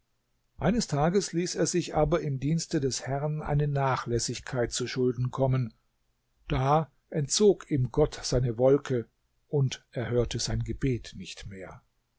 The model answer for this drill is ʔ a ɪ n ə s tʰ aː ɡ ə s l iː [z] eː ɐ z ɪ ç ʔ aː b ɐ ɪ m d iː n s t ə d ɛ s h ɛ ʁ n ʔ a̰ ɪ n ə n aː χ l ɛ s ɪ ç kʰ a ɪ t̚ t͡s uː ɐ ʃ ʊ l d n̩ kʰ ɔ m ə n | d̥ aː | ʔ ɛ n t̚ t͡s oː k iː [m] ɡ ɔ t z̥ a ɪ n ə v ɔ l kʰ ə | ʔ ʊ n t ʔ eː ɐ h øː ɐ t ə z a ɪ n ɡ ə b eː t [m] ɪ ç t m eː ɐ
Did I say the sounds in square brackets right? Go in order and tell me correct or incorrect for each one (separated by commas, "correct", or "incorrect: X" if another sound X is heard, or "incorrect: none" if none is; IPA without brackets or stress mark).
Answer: incorrect: s, correct, incorrect: n